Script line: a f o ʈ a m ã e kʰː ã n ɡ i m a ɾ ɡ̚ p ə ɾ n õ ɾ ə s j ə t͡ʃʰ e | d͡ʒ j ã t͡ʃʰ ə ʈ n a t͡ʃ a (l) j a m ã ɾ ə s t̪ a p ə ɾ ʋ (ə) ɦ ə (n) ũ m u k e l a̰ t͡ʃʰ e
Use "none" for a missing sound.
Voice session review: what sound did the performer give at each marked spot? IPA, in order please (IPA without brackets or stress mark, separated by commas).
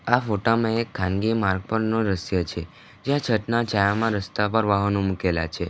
none, a, n